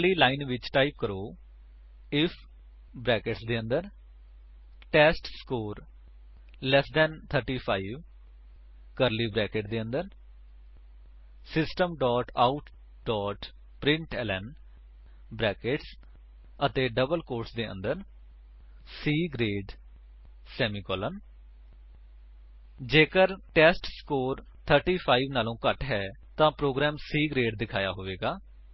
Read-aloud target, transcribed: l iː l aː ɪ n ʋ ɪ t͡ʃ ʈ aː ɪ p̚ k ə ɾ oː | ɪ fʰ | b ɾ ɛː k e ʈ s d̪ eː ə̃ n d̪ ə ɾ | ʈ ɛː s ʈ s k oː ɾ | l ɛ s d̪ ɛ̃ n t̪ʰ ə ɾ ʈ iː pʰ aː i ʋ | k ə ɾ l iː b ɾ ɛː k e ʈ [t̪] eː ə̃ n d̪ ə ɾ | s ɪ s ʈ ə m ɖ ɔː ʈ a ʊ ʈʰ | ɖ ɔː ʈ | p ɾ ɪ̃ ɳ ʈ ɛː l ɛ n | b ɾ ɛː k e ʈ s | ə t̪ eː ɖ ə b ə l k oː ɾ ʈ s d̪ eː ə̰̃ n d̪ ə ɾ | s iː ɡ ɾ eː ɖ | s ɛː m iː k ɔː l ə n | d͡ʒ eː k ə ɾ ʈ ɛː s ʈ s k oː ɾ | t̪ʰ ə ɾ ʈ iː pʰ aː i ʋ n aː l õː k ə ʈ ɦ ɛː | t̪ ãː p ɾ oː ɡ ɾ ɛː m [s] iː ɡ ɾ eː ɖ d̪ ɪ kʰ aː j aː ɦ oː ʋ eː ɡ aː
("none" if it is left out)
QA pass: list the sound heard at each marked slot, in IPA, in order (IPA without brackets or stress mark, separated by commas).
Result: d̪, s